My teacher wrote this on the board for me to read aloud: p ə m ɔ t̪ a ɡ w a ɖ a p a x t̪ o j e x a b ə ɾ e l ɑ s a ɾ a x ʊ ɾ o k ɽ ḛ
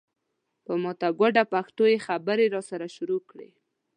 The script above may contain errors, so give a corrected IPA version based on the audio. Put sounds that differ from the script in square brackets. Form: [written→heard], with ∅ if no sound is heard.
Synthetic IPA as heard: p ə m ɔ t̪ a ɡ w a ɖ a p a x t̪ o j e x a b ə ɾ e [l→ɾ] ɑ s a ɾ a [x→ʃ] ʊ ɾ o k ɽ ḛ